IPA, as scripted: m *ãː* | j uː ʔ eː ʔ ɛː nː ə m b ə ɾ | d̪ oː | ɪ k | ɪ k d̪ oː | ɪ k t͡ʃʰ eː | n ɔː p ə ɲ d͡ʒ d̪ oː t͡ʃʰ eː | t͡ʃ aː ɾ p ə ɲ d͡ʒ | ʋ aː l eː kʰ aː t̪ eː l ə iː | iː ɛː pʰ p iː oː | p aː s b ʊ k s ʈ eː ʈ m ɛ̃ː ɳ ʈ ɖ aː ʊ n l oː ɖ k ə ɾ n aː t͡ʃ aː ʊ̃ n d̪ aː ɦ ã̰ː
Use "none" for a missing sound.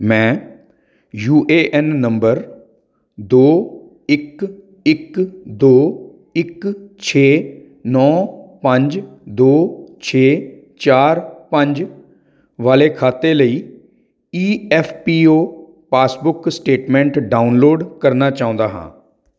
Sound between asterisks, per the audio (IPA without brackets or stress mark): ɛ̃ː